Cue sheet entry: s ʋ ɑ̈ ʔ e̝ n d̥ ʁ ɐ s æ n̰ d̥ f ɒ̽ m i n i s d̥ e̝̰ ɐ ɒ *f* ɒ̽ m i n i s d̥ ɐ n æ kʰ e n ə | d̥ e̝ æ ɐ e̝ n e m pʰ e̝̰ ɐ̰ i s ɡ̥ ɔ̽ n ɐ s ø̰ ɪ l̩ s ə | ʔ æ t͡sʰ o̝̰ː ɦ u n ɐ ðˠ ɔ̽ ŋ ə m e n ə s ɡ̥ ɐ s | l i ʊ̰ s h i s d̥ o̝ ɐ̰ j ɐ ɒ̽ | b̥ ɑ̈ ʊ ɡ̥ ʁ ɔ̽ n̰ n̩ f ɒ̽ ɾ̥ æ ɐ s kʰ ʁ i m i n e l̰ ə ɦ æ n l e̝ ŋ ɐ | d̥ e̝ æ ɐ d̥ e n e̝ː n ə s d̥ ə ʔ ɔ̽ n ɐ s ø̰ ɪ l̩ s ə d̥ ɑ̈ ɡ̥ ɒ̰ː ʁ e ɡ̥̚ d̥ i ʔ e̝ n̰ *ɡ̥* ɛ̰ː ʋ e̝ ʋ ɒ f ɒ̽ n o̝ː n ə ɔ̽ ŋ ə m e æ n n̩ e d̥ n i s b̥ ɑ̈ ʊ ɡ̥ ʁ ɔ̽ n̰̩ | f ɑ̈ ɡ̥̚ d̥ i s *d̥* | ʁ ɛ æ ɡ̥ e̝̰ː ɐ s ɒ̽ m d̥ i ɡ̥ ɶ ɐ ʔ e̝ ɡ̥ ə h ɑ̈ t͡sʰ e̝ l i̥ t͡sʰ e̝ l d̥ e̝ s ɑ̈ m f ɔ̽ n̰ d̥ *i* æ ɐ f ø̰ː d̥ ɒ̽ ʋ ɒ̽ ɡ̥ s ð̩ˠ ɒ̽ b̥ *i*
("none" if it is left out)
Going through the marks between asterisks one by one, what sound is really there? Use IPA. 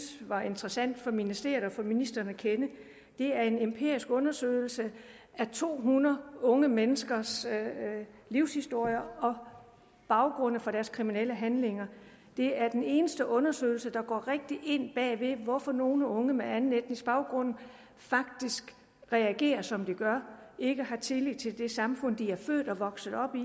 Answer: f, b̥, ɡ̥, i, i

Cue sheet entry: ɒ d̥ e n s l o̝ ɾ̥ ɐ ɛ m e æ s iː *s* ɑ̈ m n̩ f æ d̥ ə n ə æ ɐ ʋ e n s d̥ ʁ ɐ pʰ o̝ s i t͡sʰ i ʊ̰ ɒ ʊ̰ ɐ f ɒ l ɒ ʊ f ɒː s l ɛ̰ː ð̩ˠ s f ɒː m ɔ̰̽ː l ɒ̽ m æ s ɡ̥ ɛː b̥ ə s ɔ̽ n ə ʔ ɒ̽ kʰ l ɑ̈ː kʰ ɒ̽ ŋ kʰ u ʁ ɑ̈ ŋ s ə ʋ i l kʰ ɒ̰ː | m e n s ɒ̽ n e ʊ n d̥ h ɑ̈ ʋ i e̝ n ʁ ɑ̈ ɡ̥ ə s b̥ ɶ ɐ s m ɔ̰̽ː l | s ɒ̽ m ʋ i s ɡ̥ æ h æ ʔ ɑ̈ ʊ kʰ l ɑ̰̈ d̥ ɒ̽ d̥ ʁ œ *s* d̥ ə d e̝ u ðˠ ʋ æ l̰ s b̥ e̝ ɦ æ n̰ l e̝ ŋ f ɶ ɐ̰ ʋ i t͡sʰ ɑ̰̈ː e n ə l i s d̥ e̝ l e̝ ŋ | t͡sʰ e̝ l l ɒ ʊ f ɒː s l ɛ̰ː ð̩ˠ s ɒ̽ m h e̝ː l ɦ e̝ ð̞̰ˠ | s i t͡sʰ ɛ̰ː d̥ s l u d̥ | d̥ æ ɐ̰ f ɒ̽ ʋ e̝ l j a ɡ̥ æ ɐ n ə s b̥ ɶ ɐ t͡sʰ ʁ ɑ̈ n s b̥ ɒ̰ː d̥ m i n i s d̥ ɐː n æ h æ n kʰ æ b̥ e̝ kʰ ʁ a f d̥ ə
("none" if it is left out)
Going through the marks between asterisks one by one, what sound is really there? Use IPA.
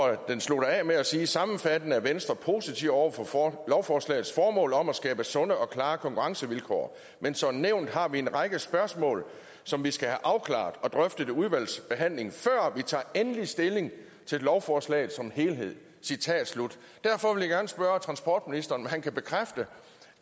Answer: s, f

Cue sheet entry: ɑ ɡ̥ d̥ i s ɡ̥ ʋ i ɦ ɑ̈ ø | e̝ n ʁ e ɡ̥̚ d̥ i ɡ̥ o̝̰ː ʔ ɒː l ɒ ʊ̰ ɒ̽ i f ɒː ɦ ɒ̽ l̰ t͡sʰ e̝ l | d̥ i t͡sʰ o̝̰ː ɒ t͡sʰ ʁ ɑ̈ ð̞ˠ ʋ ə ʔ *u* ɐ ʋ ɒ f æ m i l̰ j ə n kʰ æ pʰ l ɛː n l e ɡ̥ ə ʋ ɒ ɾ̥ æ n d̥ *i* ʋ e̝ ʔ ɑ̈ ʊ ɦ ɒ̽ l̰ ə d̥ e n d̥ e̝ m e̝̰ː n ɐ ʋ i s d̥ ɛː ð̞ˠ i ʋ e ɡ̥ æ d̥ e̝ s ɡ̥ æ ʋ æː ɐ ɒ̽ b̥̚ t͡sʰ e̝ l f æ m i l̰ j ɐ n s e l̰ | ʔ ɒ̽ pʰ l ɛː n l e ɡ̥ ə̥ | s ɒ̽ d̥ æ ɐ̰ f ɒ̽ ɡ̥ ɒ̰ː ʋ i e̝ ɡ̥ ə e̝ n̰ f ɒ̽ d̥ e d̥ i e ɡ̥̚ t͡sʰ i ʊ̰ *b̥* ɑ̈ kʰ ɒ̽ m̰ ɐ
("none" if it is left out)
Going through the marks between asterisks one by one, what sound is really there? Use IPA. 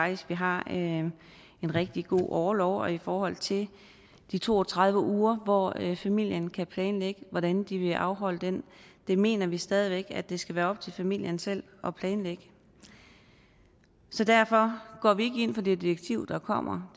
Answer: uː, i, d̥

